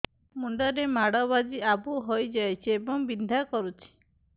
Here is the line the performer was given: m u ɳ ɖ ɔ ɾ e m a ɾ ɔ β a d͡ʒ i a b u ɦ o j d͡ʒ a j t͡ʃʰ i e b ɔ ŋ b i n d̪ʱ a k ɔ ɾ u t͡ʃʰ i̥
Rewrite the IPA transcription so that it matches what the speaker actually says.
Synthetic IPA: m u ɳ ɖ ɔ ɾ e m a ɽ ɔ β a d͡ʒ i a b u ɦ o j d͡ʒ a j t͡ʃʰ i e b ɔ ŋ b i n d̪ʱ a k ɔ ɾ u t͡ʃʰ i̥